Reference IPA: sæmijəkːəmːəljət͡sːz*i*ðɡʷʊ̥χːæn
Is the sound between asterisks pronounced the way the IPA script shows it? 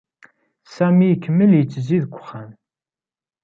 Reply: yes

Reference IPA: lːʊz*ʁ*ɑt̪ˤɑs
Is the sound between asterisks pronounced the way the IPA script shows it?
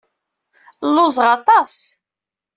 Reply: yes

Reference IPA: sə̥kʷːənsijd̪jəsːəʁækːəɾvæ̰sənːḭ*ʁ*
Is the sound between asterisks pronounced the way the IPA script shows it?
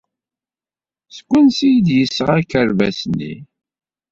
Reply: no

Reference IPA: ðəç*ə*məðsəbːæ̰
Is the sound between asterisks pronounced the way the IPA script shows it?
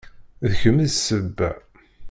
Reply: yes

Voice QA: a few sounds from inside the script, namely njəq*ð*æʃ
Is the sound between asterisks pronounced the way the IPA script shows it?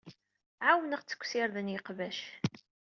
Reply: no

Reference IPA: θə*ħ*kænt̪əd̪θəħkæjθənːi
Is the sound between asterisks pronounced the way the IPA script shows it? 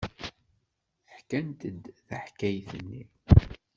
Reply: yes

